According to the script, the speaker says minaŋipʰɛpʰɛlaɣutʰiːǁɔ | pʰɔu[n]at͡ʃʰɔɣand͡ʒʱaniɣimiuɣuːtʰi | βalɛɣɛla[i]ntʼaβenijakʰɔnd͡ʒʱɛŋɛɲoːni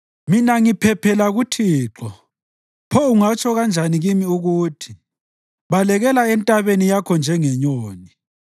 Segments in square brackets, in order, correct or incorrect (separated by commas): incorrect, incorrect